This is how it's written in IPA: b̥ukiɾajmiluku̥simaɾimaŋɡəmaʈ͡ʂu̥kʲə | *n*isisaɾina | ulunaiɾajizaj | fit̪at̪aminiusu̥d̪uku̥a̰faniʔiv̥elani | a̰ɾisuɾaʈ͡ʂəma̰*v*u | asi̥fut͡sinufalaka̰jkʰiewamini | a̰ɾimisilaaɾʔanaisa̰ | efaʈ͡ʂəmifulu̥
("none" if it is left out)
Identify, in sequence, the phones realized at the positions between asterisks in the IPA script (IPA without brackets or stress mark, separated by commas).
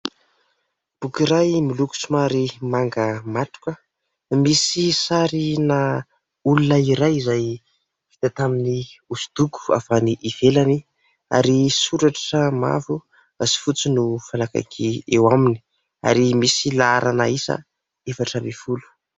m, v